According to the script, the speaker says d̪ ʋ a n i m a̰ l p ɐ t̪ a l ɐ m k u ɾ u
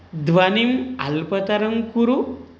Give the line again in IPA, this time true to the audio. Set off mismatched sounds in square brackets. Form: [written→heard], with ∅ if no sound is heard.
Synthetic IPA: d̪ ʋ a n i m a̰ l p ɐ t̪ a [l→ɾ] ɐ [m→ŋ] k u ɾ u

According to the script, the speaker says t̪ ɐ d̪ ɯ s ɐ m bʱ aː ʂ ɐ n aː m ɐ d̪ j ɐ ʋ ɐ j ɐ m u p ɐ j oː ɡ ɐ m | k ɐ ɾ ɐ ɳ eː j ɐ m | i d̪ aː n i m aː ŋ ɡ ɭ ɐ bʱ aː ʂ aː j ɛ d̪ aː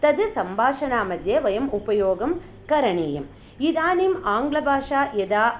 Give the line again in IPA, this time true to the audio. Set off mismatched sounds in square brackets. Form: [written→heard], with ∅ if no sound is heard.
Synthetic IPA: t̪ ɐ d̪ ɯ s ɐ m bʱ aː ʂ ɐ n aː m ɐ d̪ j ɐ ʋ ɐ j ɐ m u p ɐ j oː ɡ ɐ m | k ɐ ɾ ɐ ɳ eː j ɐ m | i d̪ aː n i m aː ŋ ɡ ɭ ɐ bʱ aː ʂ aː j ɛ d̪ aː

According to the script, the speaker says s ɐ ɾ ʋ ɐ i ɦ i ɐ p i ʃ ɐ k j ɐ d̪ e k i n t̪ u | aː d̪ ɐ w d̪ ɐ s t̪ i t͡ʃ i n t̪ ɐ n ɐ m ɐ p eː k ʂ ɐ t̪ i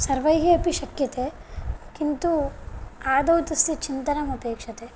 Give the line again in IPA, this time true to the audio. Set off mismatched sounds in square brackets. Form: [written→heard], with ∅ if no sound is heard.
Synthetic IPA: s ɐ ɾ ʋ ɐ [i→j] ɦ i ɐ p i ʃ ɐ k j ɐ [d̪→t̪] e k i n t̪ u | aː d̪ ɐ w [d̪→t̪] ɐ s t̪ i t͡ʃ i n t̪ ɐ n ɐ m ɐ p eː k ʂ ɐ t̪ [i→e]

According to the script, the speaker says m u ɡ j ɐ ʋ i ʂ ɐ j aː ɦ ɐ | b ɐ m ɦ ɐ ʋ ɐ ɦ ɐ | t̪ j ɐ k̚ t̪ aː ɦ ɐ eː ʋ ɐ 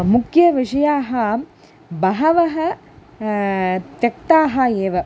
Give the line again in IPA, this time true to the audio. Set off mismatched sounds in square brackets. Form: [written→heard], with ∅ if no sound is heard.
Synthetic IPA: m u [ɡ→k] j ɐ ʋ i ʂ ɐ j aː ɦ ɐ | b ɐ [m→∅] ɦ ɐ ʋ ɐ ɦ ɐ | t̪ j ɐ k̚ t̪ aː ɦ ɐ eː ʋ ɐ

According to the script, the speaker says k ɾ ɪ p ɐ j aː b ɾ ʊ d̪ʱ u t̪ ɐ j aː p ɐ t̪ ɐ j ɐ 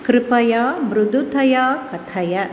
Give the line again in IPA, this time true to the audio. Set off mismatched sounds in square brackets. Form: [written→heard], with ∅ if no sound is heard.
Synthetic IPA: k ɾ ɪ p ɐ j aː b ɾ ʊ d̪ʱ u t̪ ɐ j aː [p→k] ɐ [t̪→t̪ʰ] ɐ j ɐ

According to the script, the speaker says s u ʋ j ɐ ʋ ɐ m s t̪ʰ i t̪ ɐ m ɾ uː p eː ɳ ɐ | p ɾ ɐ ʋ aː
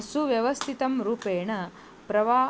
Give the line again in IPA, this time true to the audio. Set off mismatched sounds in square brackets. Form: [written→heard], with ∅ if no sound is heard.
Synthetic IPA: s u ʋ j ɐ ʋ ɐ [m→∅] s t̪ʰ i t̪ ɐ m ɾ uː p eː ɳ ɐ | p ɾ ɐ ʋ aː

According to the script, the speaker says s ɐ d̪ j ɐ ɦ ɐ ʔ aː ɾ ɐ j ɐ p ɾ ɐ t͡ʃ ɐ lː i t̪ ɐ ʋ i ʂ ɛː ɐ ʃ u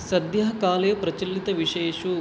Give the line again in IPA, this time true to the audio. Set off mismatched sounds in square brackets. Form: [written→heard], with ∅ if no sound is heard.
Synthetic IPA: s ɐ d̪ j ɐ ɦ ɐ [ʔ→k] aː [ɾ→l] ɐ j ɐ p ɾ ɐ t͡ʃ ɐ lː i t̪ ɐ ʋ i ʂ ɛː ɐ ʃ u

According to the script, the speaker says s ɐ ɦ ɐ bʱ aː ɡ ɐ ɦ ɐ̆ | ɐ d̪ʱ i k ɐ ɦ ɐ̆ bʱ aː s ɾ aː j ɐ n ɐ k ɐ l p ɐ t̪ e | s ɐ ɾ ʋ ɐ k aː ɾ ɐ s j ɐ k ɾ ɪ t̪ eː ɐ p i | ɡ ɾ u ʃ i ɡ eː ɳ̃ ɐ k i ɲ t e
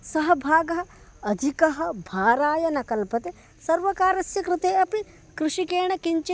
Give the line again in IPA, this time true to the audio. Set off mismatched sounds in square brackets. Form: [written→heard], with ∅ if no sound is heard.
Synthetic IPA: s ɐ ɦ ɐ bʱ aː ɡ ɐ ɦ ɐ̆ | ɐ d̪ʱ i k ɐ ɦ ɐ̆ bʱ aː [s→∅] ɾ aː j ɐ n ɐ k ɐ l p ɐ t̪ e | s ɐ ɾ ʋ ɐ k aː ɾ ɐ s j ɐ k ɾ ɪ t̪ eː ɐ p i | [ɡ→k] ɾ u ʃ i [ɡ→k] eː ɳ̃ ɐ k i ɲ [t→t͡ʃ] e

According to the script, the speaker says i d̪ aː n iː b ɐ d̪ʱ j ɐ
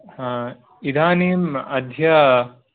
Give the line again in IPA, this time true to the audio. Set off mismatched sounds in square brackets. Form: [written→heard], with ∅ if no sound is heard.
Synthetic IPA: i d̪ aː n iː [b→m] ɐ d̪ʱ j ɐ

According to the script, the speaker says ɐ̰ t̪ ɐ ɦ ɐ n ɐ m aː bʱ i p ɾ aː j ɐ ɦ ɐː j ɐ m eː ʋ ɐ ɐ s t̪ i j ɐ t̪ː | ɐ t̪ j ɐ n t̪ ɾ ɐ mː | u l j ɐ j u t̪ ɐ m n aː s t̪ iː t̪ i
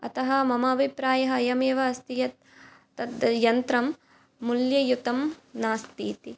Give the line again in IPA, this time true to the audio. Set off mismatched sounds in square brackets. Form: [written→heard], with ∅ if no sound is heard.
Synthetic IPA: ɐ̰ t̪ ɐ ɦ ɐ [n→m] ɐ m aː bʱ i p ɾ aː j ɐ ɦ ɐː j ɐ m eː ʋ ɐ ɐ s t̪ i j ɐ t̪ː | ɐ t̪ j ɐ n t̪ ɾ ɐ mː | u l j ɐ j u t̪ ɐ m n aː s t̪ iː t̪ i

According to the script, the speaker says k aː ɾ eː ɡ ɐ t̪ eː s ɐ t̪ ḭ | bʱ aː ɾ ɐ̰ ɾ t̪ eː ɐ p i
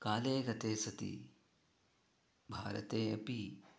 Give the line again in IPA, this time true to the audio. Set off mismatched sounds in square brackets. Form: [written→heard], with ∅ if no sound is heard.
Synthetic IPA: k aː [ɾ→l] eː ɡ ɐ t̪ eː s ɐ t̪ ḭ | bʱ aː ɾ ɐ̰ [ɾ→∅] t̪ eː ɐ p i

